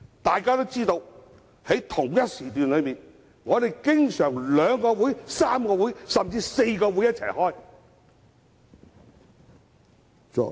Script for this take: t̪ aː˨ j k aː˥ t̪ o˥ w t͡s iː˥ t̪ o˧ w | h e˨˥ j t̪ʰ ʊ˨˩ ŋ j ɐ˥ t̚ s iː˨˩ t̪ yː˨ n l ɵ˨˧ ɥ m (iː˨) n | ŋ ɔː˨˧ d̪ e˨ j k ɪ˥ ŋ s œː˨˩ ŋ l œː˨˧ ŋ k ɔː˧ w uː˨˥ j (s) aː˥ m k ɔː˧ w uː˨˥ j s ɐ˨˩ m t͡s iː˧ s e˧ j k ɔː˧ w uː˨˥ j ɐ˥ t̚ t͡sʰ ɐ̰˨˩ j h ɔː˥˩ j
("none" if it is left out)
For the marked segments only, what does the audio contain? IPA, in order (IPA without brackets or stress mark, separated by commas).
iː˨, s